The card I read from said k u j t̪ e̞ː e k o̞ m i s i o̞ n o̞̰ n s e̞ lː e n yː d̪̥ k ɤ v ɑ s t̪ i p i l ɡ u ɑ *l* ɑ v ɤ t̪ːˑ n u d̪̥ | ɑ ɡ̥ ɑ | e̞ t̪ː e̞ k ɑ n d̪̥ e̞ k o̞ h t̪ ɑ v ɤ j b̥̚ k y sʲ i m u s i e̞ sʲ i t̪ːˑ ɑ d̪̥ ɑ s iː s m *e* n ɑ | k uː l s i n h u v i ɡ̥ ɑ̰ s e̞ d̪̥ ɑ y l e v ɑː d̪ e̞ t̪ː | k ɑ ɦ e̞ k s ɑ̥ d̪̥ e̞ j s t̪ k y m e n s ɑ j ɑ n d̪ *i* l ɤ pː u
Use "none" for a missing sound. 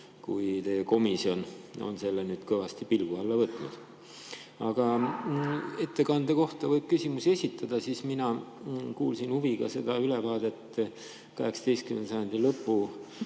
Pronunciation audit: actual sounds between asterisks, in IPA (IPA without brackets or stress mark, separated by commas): lː, i, i